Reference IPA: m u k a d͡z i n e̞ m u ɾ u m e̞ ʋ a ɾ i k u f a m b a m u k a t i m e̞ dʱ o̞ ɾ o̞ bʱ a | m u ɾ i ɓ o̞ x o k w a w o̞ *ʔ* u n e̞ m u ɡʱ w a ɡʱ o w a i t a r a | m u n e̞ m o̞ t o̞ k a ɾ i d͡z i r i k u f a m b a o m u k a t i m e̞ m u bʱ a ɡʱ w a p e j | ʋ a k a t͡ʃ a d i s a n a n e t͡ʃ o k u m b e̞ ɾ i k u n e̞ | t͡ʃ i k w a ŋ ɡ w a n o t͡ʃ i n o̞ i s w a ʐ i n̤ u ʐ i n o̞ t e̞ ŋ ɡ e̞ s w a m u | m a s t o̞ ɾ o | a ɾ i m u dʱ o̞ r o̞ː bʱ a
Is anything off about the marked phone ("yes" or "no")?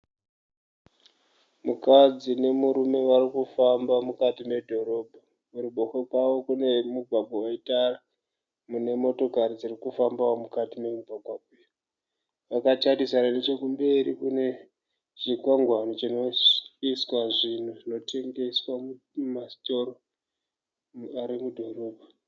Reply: yes